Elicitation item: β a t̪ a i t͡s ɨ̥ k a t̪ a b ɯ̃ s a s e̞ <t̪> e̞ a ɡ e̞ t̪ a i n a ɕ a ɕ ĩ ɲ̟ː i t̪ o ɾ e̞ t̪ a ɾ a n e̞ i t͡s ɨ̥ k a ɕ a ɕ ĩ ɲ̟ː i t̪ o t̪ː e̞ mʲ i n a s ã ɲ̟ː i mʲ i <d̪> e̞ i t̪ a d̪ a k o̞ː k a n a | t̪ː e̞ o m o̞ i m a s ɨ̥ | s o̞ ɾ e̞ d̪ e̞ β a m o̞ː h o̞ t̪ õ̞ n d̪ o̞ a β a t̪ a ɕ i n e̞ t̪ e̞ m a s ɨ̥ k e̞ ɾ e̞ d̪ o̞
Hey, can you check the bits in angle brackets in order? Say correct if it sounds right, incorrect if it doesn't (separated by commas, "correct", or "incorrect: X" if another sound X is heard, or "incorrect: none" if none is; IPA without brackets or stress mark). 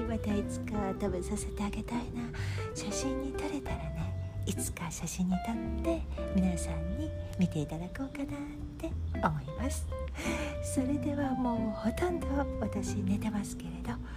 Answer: correct, incorrect: t̪